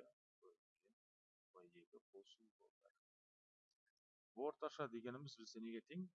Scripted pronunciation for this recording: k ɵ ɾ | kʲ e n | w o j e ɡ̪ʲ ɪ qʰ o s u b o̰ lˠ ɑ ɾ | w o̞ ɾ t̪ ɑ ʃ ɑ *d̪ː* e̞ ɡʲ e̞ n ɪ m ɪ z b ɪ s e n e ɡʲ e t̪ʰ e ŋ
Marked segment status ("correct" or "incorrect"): incorrect